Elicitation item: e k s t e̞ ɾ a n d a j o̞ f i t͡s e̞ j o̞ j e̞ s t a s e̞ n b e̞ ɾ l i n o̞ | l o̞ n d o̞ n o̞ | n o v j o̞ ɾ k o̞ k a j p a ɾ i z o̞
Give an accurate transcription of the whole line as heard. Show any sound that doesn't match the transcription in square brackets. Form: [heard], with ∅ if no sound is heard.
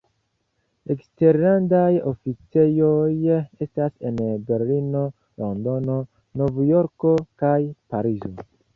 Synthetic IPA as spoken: e k s t e̞ ɾ a n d a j o̞ f i t͡s e̞ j o̞ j e̞ s t a s e̞ n b e̞ ɾ l i n o̞ | l o̞ n d o̞ n o̞ | n o v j o̞ ɾ k o̞ k a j p a ɾ i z o̞